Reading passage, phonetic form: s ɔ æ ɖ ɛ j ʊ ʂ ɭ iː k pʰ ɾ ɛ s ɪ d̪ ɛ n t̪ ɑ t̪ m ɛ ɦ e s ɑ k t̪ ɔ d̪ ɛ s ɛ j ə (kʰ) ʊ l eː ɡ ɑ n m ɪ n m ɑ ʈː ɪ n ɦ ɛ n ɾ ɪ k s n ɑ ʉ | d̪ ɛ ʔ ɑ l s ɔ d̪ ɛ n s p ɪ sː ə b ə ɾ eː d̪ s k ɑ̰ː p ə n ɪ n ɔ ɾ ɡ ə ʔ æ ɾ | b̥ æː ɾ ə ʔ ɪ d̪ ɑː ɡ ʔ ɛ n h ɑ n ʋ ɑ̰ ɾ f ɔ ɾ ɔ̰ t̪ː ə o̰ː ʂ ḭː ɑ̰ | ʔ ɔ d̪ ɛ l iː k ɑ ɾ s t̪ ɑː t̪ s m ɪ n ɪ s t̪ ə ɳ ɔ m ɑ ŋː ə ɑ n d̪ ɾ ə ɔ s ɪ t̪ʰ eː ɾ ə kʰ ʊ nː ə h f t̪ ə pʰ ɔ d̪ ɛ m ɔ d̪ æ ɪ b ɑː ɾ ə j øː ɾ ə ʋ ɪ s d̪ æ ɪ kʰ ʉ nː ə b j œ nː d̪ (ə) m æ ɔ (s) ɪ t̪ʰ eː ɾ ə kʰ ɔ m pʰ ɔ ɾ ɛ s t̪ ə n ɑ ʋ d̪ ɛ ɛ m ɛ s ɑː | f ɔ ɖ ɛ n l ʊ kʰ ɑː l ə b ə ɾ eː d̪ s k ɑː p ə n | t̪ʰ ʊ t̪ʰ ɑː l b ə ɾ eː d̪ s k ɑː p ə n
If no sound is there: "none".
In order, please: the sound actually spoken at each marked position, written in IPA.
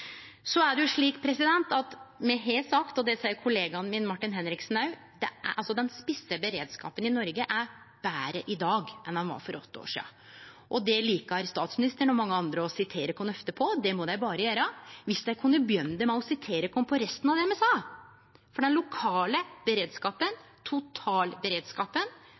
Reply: kʰ, ə, s

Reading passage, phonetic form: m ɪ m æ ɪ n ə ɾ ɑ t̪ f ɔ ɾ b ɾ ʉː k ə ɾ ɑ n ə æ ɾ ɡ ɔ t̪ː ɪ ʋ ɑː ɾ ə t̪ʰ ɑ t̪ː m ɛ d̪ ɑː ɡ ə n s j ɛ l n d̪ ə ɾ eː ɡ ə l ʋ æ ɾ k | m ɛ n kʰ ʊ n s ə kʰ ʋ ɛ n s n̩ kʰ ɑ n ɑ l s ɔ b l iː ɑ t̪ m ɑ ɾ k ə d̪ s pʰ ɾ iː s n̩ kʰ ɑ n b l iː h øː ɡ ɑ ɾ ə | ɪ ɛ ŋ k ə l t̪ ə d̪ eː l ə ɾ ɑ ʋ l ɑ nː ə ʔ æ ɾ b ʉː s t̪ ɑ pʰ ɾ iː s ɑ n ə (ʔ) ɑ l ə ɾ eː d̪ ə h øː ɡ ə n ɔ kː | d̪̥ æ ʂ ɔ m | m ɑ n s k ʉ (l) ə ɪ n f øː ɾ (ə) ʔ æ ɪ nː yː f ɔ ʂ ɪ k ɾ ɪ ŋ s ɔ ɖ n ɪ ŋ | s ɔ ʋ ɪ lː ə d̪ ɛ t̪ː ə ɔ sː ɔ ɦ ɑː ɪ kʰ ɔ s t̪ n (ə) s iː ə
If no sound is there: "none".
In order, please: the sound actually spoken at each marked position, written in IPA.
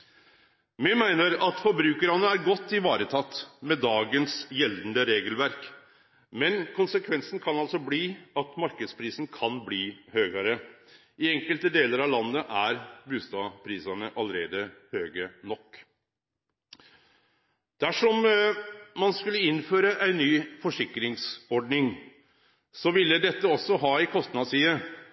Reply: ʔ, lː, ə, ɑ

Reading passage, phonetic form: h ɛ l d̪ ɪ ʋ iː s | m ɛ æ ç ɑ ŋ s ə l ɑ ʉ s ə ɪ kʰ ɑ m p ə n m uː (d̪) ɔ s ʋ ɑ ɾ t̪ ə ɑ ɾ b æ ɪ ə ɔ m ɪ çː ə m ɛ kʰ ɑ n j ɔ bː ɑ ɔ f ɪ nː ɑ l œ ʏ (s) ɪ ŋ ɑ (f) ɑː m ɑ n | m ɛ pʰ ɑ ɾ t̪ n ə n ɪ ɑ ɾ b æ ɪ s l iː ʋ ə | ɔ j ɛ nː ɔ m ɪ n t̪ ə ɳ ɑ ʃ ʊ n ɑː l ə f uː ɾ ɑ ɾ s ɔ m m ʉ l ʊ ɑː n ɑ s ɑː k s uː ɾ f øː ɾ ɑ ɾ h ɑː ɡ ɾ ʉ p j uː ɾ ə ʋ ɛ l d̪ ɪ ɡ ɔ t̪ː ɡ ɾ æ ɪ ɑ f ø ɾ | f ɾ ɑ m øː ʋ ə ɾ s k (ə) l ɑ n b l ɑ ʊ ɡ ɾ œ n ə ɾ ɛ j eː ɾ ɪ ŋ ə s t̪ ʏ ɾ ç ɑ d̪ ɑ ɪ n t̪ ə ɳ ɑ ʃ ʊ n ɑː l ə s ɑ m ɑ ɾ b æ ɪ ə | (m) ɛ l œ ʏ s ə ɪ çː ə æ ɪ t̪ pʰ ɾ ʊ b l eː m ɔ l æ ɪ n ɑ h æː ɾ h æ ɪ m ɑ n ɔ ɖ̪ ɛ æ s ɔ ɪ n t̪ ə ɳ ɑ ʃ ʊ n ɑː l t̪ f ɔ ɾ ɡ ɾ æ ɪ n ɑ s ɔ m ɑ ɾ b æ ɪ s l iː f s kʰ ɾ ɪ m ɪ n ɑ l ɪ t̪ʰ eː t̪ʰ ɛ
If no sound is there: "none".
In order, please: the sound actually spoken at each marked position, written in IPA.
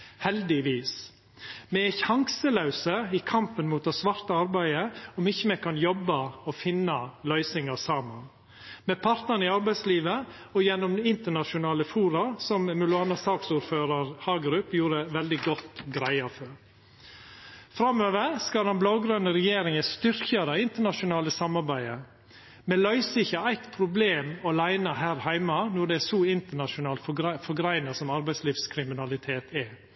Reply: t̪, s, s, ɑ, m

